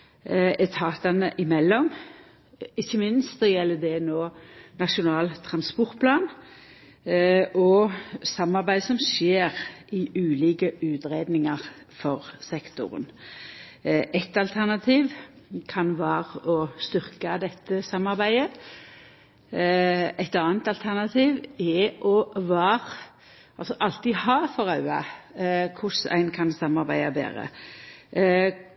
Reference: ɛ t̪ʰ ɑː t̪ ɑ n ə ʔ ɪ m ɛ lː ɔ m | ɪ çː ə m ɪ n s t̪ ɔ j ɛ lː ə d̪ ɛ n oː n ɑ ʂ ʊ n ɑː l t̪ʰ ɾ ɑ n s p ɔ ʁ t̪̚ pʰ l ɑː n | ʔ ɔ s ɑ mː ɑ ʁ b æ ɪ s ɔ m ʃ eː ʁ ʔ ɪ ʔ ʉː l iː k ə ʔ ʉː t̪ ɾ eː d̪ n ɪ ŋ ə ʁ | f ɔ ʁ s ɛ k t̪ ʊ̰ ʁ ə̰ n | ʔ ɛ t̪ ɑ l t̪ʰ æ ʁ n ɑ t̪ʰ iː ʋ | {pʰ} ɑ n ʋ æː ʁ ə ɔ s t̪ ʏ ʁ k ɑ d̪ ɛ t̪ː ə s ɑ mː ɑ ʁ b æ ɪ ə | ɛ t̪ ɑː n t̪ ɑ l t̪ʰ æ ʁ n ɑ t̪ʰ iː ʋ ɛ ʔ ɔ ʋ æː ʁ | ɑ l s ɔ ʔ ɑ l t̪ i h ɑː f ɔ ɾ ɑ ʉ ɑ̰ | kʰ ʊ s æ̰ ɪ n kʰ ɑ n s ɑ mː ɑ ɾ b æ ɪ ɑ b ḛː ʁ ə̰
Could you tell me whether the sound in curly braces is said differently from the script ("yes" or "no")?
yes